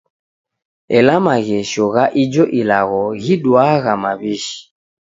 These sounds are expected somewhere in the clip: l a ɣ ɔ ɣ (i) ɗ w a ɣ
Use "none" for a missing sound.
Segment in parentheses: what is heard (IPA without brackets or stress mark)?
i